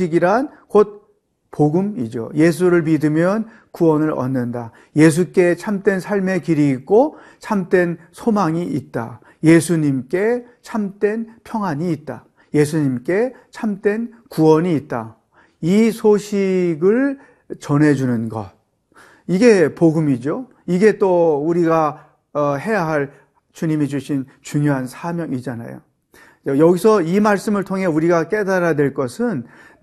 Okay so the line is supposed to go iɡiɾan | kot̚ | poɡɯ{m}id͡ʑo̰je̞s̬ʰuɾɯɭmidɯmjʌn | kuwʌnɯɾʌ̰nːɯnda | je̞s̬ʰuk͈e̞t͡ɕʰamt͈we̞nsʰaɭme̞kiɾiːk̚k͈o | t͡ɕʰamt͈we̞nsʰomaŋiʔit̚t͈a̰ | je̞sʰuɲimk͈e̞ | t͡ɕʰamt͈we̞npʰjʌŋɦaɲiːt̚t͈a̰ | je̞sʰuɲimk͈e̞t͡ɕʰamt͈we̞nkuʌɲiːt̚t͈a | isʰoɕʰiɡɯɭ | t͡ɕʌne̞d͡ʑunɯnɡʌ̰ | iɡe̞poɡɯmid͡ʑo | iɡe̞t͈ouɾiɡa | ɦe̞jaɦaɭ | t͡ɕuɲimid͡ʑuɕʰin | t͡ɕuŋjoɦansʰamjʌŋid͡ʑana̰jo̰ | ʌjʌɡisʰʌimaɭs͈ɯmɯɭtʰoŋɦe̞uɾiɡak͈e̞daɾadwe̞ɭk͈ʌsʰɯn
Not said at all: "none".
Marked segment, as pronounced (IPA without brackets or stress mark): m